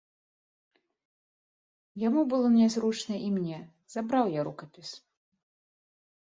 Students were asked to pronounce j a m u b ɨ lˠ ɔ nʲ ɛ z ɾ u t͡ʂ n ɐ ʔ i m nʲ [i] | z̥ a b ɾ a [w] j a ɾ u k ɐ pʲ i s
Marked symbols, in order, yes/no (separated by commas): no, yes